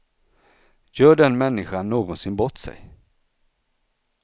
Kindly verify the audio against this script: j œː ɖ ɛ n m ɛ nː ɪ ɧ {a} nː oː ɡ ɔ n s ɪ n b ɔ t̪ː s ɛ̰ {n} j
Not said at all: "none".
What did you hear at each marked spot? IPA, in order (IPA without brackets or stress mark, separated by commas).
a, none